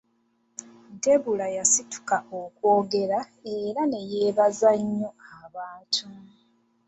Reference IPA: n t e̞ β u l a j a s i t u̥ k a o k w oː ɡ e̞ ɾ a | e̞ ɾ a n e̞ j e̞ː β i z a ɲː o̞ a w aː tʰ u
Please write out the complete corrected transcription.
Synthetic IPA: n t e̞ β u l a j a s i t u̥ k a o k w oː ɡ e̞ ɾ a | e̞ ɾ a n e̞ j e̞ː β a z a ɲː o̞ a β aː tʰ u